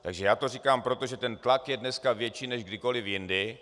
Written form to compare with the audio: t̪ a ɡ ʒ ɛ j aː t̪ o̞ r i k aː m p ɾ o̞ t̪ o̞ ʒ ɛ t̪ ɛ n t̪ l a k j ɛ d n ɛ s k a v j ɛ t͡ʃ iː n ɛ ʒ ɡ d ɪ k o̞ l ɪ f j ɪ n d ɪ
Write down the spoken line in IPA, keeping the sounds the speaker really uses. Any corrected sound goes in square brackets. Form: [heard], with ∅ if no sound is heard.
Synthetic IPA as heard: t̪ a ɡ ʒ ɛ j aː t̪ o̞ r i k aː m p ɾ o̞ t̪ o̞ ʒ ɛ t̪ ɛ n t̪ l a k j ɛ d n ɛ s k a v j ɛ t͡ʃ iː n ɛ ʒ ɡ d ɪ k o̞ l ɪ f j ɪ n d ɪ

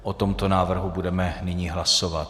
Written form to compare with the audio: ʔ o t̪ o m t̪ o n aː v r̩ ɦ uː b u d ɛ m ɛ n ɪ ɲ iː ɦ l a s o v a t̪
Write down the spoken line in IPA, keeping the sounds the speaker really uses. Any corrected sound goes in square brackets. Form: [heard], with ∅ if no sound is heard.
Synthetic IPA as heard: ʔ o t̪ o m t̪ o n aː v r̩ ɦ [u] b u d ɛ m ɛ n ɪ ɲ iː ɦ l a s o v a t̪

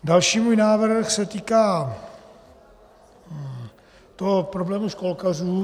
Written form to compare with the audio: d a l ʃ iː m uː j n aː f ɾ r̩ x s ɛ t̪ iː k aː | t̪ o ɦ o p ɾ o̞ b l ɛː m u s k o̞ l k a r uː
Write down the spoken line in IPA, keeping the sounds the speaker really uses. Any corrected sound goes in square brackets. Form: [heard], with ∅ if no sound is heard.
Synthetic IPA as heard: d a l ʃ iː m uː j n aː [v] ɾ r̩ x s ɛ t̪ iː k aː | t̪ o ɦ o p ɾ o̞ b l ɛː m u [ʃ] k o̞ l k a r uː

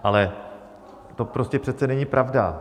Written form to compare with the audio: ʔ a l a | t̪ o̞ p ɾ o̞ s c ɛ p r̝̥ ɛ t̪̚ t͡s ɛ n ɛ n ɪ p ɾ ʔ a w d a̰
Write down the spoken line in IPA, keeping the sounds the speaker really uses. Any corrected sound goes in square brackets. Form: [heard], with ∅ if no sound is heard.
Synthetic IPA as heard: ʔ a l [ɛ] | t̪ o̞ p ɾ o̞ s c ɛ p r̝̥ ɛ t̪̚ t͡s ɛ n ɛ [ɲ] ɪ p ɾ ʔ a [v] d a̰

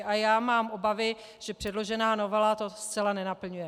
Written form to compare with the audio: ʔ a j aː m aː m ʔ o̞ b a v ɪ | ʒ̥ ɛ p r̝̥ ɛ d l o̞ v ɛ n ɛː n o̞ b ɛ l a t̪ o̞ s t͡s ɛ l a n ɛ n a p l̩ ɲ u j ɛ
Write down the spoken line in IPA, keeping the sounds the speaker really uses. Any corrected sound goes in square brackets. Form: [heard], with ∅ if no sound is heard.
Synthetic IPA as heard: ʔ a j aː m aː m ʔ o̞ b a v ɪ | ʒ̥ ɛ p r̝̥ ɛ d l o̞ [ʒ] ɛ n [aː] n o̞ [v] ɛ l a t̪ o̞ s t͡s ɛ l a n ɛ n a p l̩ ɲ u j ɛ

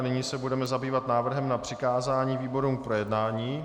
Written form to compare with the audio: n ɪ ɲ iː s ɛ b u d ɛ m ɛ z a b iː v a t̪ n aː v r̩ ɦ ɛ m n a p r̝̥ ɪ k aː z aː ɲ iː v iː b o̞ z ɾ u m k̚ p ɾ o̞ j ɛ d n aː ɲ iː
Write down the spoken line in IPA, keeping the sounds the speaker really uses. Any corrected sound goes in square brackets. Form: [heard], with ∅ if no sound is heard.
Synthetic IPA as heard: n ɪ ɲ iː s ɛ b u d ɛ m ɛ z a b iː v a t̪ n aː v r̩ ɦ ɛ m n a p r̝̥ ɪ k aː z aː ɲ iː v iː b o̞ [∅] ɾ u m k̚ p ɾ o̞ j ɛ d n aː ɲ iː

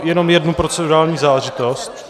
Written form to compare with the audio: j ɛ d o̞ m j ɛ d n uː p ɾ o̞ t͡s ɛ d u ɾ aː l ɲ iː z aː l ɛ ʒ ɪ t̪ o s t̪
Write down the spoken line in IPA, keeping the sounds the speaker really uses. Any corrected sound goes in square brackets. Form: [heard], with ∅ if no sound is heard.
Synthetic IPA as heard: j ɛ [n] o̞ m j ɛ d n [u] p ɾ o̞ t͡s ɛ d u ɾ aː l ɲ iː z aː l ɛ ʒ ɪ t̪ o s t̪

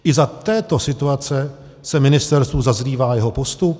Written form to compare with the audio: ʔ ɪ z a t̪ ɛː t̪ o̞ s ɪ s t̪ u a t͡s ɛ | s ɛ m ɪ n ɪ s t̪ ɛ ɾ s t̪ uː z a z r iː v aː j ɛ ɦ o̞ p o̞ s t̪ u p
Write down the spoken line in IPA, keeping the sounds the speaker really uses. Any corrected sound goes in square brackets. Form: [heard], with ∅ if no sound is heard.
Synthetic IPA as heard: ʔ ɪ z a t̪ ɛː t̪ o̞ s ɪ [∅] t̪ u a t͡s ɛ | s ɛ m ɪ n ɪ s t̪ ɛ ɾ s t̪ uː z a z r iː v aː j ɛ ɦ o̞ p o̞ s t̪ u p

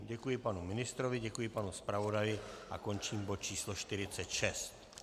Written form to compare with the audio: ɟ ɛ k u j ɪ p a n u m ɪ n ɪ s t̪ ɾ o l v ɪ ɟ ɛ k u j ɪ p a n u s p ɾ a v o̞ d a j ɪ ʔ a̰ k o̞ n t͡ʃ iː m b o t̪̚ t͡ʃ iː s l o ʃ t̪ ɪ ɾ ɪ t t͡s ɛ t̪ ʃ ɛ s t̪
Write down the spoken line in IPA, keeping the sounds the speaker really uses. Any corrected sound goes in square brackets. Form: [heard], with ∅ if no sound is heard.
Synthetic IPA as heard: ɟ ɛ k u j ɪ p a n u m ɪ n ɪ s t̪ ɾ o [∅] v ɪ ɟ ɛ k u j ɪ p a n u s p ɾ a v o̞ d a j ɪ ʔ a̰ k o̞ n t͡ʃ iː m b o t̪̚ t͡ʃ iː s l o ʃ t̪ ɪ ɾ ɪ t t͡s ɛ t̪ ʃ ɛ s t̪

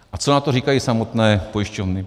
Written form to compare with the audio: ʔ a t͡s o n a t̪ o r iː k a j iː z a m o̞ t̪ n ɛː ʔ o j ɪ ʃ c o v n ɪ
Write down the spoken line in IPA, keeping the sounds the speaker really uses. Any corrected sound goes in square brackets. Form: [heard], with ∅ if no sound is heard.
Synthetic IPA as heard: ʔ a t͡s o n a t̪ o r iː k a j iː [s] a m o̞ t̪ n ɛː [p] o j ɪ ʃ c o v n ɪ

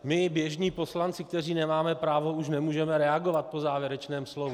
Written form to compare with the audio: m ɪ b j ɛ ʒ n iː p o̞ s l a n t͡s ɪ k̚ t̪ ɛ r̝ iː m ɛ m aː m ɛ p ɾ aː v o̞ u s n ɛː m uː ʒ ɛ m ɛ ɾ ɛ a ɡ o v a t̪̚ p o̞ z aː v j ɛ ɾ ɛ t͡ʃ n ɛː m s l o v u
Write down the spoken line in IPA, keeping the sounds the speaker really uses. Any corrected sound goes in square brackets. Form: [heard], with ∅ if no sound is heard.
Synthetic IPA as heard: m ɪ b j ɛ ʒ [ɲ] iː p o̞ s l a n t͡s ɪ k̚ t̪ ɛ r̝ iː [n] ɛ m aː m ɛ p ɾ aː v o̞ u [ʃ] n [ɛ] m uː ʒ ɛ m ɛ ɾ ɛ a ɡ o v a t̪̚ p o̞ z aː v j ɛ ɾ ɛ t͡ʃ n ɛː m s l o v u

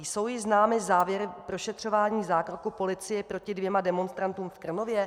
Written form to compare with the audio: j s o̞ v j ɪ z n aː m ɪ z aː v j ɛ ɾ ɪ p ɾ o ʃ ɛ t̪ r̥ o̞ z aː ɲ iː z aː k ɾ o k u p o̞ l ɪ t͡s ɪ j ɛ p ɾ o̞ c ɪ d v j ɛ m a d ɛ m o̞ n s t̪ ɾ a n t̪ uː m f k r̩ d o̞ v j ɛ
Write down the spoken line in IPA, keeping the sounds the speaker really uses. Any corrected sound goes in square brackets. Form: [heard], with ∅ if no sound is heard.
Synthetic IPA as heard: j s o̞ [w] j ɪ z n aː m ɪ z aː v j ɛ ɾ ɪ p ɾ o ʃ ɛ t̪ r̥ o̞ [v] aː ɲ iː z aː k ɾ o k u p o̞ l ɪ t͡s ɪ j ɛ p ɾ o̞ c ɪ d v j ɛ m a d ɛ m o̞ n s t̪ ɾ a n t̪ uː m f k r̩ [n] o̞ v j ɛ

